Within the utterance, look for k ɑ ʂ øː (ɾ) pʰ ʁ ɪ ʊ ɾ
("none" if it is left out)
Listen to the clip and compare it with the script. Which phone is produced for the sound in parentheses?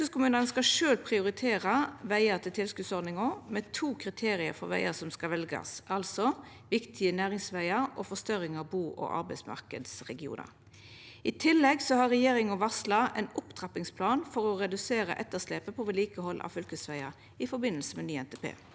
l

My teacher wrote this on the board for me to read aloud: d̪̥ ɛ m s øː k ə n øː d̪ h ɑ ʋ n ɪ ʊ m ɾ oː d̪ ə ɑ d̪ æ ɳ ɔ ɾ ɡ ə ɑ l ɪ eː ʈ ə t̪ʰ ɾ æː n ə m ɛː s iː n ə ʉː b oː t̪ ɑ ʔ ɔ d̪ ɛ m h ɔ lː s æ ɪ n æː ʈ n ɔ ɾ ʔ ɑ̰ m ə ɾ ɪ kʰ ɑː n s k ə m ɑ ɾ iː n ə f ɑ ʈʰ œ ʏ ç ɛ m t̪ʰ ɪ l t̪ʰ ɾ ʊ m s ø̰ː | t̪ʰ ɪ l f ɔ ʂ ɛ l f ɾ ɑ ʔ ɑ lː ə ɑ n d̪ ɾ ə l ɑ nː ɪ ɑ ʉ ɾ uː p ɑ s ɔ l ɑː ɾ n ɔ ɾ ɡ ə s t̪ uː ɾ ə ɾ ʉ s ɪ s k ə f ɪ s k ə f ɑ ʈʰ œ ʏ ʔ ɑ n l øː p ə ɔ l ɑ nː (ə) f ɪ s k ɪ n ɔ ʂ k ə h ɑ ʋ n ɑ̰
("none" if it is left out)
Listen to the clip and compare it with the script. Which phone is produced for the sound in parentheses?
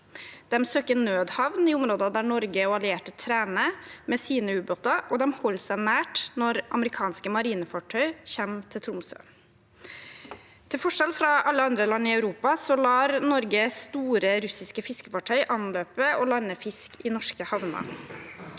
ə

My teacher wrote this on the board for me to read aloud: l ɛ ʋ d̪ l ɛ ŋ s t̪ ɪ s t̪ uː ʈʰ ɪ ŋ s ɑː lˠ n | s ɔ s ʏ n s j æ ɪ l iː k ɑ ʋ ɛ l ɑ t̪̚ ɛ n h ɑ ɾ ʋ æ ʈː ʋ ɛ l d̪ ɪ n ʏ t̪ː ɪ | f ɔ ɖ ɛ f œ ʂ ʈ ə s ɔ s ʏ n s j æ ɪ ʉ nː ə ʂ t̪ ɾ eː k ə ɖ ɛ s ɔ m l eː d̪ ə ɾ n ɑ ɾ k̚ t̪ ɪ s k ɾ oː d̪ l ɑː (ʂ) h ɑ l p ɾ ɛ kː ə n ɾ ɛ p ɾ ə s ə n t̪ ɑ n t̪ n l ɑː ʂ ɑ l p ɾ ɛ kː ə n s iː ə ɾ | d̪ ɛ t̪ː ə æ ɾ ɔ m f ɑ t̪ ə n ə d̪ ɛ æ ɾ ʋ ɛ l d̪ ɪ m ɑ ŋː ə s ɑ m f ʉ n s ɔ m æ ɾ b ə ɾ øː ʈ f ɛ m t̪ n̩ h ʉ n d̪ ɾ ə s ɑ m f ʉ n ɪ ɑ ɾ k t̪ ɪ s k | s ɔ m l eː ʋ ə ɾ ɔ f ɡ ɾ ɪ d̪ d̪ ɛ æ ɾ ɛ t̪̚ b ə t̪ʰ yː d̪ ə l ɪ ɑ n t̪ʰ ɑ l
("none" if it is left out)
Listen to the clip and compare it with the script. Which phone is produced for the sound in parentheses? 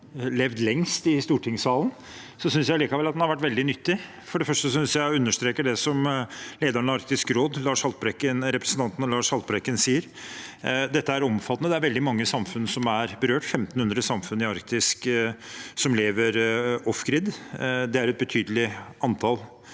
ʂ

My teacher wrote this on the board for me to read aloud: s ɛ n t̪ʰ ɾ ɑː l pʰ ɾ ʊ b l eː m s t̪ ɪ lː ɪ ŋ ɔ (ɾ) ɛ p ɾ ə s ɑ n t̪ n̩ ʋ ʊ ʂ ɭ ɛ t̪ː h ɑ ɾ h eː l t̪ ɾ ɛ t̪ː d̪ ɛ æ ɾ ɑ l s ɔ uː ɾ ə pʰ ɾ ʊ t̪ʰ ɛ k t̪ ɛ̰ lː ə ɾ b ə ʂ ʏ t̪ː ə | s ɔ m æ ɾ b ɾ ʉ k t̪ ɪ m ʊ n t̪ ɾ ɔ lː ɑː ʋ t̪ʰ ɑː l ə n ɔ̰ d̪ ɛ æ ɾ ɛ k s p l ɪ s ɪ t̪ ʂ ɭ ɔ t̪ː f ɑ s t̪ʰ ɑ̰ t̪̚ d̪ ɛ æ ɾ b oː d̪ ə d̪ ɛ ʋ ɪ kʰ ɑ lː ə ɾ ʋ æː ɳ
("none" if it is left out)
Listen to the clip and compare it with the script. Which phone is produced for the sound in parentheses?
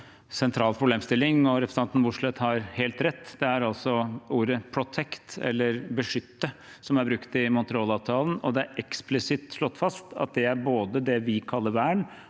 ɾ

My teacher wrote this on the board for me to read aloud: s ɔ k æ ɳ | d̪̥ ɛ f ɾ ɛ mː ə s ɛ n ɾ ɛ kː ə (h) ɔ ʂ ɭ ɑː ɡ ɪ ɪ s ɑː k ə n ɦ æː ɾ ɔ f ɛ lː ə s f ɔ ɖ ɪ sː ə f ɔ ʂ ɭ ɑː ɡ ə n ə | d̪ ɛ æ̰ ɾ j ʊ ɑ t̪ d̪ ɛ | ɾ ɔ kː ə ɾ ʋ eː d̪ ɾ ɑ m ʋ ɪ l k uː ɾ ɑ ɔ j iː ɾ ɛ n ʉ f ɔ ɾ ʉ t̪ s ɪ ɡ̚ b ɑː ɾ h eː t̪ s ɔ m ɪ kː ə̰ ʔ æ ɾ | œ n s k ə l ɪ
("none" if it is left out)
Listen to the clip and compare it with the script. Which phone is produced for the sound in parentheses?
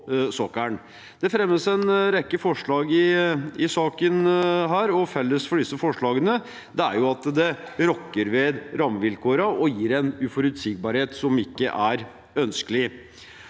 f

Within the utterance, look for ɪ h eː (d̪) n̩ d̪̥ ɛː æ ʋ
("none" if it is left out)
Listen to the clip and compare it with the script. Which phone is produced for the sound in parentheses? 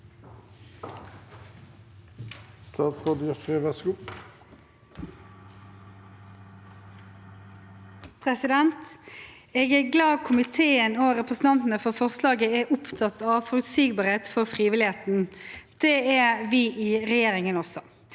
t̪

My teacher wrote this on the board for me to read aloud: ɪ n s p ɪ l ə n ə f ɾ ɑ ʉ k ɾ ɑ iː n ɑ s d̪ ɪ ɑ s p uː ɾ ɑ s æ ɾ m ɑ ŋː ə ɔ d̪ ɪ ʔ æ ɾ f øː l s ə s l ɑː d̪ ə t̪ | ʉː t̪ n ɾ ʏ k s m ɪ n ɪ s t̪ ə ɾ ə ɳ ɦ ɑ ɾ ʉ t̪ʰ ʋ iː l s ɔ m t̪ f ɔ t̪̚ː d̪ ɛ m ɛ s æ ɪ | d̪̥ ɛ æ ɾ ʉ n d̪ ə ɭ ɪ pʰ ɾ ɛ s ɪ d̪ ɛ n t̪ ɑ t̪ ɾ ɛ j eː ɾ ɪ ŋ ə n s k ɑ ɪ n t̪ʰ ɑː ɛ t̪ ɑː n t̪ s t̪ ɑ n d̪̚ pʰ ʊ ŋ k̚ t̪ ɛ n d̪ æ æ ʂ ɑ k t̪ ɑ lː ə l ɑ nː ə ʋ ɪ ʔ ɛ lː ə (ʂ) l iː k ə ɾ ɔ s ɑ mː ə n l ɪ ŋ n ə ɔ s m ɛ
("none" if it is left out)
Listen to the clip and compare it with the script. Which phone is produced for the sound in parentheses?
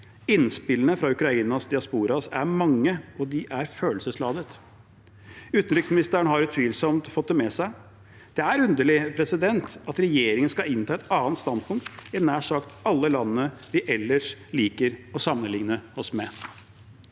ʂ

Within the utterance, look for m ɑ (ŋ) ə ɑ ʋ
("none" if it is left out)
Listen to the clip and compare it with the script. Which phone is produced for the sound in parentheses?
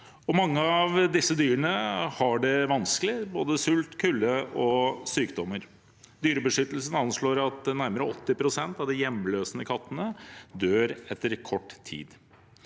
ŋː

